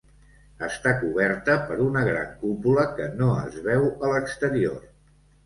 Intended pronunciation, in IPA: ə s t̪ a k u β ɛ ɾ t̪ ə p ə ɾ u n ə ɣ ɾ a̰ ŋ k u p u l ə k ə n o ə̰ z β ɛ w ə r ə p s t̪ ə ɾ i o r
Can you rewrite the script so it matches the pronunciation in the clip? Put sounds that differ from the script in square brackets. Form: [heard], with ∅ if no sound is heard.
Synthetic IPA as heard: ə s t̪ a k u β ɛ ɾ t̪ ə p ə ɾ u n ə ɣ ɾ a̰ ŋ k u p u l ə k ə n o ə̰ z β ɛ w ə [l] ə [k] s t̪ ə ɾ i o r